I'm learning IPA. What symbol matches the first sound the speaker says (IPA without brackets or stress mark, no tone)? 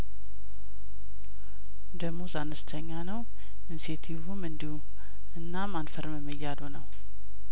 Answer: d̪